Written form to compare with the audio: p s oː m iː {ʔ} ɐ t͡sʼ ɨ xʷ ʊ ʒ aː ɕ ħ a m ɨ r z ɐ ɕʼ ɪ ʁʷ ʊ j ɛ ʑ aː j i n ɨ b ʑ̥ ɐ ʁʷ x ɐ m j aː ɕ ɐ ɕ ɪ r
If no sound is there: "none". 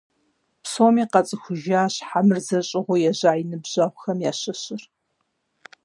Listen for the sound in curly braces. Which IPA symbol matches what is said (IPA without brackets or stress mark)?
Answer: q